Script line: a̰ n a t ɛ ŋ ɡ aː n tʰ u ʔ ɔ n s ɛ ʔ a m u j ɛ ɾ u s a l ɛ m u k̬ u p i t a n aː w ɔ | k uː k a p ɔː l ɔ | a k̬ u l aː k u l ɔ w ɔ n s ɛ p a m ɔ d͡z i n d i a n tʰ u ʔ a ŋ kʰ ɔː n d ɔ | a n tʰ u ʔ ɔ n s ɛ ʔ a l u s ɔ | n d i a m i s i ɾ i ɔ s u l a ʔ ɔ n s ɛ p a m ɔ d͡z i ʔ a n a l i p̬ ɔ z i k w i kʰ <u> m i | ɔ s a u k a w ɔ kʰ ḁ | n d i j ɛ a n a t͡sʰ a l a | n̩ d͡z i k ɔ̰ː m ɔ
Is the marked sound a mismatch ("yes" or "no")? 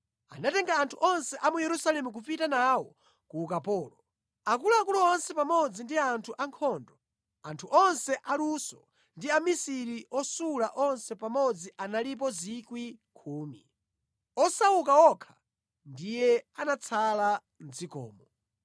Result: yes